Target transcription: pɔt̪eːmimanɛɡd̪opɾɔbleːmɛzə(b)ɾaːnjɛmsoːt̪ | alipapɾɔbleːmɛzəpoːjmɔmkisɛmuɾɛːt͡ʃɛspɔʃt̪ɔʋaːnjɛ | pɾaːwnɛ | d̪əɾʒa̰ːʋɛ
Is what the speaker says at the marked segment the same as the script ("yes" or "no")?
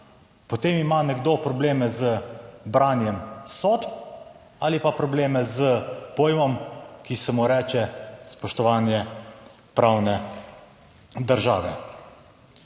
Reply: yes